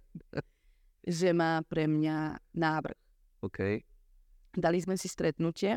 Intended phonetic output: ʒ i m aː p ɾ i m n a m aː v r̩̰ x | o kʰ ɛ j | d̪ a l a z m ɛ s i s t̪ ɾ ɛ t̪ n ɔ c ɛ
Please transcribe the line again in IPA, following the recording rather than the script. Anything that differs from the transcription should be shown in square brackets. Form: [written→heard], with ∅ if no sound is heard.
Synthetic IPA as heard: ʒ [i→ɛ] m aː p ɾ [i→ɛ] m [n→ɲ] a [m→n] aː v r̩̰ x | o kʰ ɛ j | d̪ a l [a→i] z m ɛ s i s t̪ ɾ ɛ t̪ n [ɔ→u] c ɛ